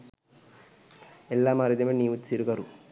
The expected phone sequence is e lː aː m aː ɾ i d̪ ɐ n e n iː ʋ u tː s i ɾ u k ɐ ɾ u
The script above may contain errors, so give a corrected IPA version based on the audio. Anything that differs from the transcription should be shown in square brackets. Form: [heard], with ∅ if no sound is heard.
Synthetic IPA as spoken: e lː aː m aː ɾ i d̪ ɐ [m] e n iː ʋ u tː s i ɾ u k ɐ ɾ u